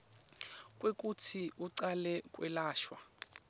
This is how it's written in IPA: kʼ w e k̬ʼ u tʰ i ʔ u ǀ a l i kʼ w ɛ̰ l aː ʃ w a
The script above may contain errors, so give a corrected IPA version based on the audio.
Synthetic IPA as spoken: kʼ w e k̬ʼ u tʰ i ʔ u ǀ a l ɛ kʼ w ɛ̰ l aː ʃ w a

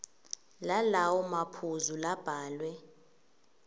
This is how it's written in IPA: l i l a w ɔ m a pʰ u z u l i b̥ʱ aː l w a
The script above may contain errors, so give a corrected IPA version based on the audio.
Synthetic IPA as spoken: l a l a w ɔ m a pʰ u z u l a b̥ʱ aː l w ɛ

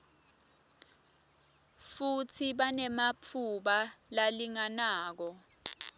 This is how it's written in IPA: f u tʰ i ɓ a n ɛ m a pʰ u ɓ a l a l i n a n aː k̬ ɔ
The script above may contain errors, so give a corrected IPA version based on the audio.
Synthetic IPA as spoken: f u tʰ i ɓ a n ɛ m a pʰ u ɓ a l a l i ŋ a n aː k̬ ɔ

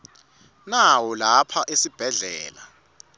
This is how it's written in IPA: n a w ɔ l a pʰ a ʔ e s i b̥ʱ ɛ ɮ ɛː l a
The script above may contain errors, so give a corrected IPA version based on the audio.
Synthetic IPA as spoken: n a w ɔ l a pʰ a ʔ e s i b̥ʱ ɛ ɮ ɛː l a

